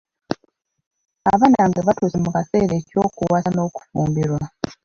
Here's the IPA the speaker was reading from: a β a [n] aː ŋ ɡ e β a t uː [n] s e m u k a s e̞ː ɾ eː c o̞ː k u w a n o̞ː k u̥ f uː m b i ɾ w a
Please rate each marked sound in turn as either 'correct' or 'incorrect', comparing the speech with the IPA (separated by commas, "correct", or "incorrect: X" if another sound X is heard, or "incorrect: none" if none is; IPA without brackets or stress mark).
correct, incorrect: none